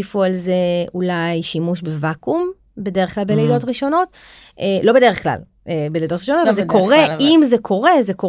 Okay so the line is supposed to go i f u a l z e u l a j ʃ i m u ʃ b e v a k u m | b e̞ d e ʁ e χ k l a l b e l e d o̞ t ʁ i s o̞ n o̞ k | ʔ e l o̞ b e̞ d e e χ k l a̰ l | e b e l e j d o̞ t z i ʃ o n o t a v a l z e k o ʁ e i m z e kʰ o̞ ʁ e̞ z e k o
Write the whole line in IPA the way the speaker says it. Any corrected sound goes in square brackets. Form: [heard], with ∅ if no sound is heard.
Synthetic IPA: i f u a l z e u l a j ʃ i m u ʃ b e v a k u m | b e̞ d e ʁ e χ k l a l b e l e d o̞ t ʁ i [ʃ] o̞ n o̞ [t] | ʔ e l o̞ b e̞ d e e χ k l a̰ l | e b e l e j d o̞ t [ʁ] i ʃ o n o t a v a l z e k o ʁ e i m z e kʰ o̞ ʁ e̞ z e k o